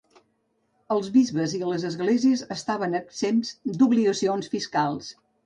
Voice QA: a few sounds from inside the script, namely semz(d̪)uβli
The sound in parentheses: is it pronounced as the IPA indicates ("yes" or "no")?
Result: yes